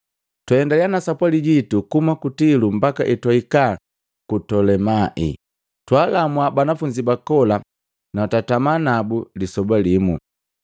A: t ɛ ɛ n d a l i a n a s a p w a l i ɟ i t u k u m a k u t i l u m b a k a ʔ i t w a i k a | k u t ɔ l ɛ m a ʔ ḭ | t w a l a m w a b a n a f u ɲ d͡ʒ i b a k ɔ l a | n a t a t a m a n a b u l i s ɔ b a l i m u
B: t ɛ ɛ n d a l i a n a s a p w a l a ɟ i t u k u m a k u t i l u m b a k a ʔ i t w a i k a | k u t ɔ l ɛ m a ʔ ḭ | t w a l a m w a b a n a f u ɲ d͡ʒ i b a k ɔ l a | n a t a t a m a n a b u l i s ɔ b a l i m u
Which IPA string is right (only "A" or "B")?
A